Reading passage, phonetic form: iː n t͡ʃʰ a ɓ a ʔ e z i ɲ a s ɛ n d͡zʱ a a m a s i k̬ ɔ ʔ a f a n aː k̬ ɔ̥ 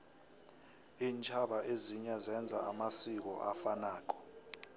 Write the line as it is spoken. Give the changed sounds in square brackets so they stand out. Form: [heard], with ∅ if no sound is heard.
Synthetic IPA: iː n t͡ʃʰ a ɓ a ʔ e z i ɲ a [z] ɛ n d͡zʱ a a m a s i k̬ ɔ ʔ a f a n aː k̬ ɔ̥